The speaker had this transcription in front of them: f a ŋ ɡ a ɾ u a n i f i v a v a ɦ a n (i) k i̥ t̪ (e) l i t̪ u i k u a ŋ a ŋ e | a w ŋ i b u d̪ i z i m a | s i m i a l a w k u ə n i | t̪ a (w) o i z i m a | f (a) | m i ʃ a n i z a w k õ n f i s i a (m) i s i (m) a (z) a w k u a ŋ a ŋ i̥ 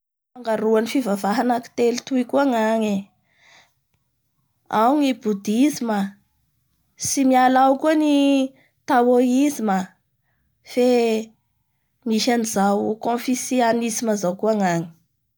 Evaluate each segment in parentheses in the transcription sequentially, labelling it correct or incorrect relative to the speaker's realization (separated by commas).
incorrect, correct, correct, incorrect, incorrect, correct, correct